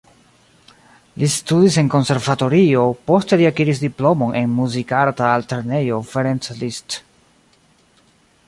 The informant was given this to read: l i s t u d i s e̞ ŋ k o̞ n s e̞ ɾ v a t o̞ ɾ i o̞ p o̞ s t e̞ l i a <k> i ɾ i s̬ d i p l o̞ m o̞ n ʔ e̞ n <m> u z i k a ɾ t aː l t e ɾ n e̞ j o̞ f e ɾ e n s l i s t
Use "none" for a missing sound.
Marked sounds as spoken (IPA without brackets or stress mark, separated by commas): k, m